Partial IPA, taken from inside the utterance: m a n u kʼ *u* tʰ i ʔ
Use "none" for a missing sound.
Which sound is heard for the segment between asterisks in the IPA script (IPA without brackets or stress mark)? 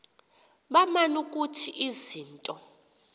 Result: u